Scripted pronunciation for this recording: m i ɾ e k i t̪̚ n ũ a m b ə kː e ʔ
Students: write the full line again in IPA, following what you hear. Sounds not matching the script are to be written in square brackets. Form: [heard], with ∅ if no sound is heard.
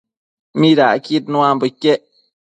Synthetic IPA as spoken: m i ɾ [a] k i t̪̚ n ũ a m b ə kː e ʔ

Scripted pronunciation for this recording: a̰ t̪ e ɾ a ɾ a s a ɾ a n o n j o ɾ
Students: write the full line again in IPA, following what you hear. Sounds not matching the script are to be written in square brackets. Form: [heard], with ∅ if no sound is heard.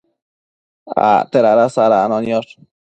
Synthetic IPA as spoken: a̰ t̪ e ɾ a ɾ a s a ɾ a n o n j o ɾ

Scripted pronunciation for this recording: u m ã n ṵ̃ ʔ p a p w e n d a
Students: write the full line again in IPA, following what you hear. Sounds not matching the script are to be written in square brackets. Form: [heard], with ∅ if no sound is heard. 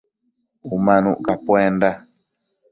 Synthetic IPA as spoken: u m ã n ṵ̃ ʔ [k] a p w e n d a

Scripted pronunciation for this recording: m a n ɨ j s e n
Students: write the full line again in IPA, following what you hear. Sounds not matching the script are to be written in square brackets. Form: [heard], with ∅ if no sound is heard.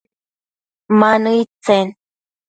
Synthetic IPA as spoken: m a n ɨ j [t͡s] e n

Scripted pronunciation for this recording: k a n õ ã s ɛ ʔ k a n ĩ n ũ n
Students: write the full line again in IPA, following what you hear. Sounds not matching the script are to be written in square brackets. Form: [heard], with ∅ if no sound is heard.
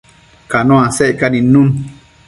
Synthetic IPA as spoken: k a n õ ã s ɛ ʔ k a n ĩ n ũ n

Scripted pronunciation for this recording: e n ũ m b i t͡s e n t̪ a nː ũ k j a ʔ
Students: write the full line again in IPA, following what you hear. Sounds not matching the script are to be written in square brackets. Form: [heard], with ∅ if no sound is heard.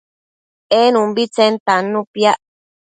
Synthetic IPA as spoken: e n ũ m b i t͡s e n t̪ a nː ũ [p] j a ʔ

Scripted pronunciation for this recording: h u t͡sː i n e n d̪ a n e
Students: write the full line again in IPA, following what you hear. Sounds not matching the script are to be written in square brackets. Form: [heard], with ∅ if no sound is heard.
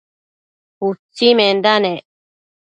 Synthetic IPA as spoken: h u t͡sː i [m] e n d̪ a n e

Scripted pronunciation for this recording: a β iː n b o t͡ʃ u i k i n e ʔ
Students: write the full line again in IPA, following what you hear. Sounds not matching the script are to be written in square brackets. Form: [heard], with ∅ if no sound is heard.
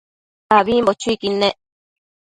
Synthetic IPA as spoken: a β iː [m] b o t͡ʃ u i k i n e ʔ

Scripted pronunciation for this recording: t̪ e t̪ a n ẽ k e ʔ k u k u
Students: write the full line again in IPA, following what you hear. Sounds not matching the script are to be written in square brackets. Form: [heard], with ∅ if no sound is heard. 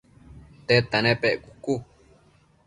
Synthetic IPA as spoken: t̪ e t̪ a n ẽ [p] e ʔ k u k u

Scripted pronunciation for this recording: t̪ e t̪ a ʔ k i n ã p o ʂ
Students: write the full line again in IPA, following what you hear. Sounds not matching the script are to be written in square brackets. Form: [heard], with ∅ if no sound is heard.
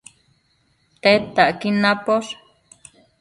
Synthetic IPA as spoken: t̪ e t̪ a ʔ k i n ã p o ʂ

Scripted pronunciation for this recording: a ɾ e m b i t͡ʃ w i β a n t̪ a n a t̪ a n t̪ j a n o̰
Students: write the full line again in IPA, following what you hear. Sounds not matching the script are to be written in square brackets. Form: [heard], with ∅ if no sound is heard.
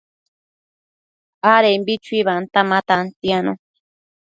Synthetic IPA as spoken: a ɾ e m b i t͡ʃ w i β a n t̪ a [m] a t̪ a n t̪ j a n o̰

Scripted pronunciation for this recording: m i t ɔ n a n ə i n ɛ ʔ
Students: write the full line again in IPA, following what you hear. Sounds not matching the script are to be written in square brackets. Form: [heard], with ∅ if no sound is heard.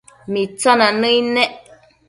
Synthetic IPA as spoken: m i [t͡s] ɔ n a n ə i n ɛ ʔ

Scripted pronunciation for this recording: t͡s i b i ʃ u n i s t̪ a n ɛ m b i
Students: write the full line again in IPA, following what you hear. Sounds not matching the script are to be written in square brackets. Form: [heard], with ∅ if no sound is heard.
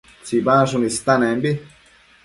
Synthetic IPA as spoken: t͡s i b [a] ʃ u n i s t̪ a n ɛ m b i

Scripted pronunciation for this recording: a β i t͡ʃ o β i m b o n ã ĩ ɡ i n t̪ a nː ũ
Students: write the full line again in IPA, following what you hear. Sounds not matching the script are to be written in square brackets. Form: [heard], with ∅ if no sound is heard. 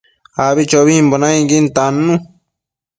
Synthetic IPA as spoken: a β i t͡ʃ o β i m b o n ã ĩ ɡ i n t̪ a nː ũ

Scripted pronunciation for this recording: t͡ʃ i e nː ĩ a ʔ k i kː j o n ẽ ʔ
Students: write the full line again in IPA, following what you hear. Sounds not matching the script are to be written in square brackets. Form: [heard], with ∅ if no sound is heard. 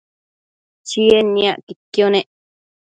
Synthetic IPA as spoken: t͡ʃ i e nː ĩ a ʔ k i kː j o n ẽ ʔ

